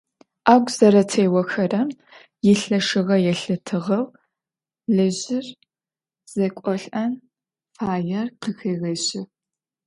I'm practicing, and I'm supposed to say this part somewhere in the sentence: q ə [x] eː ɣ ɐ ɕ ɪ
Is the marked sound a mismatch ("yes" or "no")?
no